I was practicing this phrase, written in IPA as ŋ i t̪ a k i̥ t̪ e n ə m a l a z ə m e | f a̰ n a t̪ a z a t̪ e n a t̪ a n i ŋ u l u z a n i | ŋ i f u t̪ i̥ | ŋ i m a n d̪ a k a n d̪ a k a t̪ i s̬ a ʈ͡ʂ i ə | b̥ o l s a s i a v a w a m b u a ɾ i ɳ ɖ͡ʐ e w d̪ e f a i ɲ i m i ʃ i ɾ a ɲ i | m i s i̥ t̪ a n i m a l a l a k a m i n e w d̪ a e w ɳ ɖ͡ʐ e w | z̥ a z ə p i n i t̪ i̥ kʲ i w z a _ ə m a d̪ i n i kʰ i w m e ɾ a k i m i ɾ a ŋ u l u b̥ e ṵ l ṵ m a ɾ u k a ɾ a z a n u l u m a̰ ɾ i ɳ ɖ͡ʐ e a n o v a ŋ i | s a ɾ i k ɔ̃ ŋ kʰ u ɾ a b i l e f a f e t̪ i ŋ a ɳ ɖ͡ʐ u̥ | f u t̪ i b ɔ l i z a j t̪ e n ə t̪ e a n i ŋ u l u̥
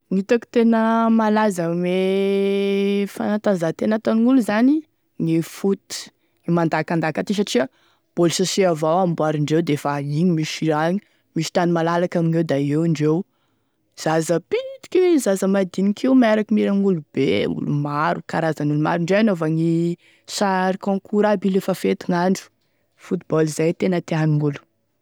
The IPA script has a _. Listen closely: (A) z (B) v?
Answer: A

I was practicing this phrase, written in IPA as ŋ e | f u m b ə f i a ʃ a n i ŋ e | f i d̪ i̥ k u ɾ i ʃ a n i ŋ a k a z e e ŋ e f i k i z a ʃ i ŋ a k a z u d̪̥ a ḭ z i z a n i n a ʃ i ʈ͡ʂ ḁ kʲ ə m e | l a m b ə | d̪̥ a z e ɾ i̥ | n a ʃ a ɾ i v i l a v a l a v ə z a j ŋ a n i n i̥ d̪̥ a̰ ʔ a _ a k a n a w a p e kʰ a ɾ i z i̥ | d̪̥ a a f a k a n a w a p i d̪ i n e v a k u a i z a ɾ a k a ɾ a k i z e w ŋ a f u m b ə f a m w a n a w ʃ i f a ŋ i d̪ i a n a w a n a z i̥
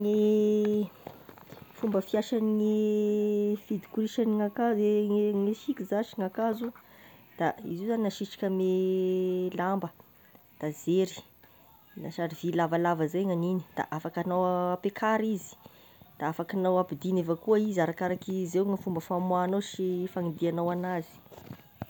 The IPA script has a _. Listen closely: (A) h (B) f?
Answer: B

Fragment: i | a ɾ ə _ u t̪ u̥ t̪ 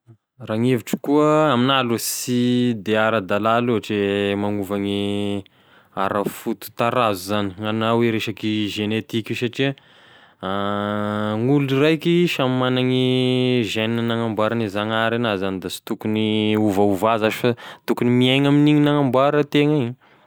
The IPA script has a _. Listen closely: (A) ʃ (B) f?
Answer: B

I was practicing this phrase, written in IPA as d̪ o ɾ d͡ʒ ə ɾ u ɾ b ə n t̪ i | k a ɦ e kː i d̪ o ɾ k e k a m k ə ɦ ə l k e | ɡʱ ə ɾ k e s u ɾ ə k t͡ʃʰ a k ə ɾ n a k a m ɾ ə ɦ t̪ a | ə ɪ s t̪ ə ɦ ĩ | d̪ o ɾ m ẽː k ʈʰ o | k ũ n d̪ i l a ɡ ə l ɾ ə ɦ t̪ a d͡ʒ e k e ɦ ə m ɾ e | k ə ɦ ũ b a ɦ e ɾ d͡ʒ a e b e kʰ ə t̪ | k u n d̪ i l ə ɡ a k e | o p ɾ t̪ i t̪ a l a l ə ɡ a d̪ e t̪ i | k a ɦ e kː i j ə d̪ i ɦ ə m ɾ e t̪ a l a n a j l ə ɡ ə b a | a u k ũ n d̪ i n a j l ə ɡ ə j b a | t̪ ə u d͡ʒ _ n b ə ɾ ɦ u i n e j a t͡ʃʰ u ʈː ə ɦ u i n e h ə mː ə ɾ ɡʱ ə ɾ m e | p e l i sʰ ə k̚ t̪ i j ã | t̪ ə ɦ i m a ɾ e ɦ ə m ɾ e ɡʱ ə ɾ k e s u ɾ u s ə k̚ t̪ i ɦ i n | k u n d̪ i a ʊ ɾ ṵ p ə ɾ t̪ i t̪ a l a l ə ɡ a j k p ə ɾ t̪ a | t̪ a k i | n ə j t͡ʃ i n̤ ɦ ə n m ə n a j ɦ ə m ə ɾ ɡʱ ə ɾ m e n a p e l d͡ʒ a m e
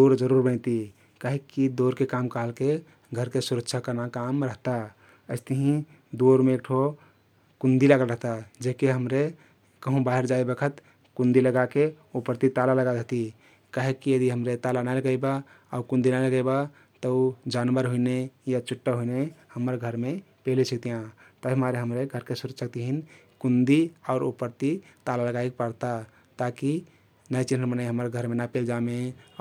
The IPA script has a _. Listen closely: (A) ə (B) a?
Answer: B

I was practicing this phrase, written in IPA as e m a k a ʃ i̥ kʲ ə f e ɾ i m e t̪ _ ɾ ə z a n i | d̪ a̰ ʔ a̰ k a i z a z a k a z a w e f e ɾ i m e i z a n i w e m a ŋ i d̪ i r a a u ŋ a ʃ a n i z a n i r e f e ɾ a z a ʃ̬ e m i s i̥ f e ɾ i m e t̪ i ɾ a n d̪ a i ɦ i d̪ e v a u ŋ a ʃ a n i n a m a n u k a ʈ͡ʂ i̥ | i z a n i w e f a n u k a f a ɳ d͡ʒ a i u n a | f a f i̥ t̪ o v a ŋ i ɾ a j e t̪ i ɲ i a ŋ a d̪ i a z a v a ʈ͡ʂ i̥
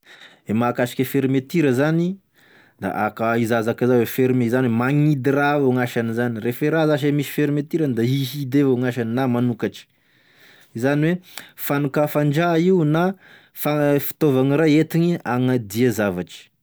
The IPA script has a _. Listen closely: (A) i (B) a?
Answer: A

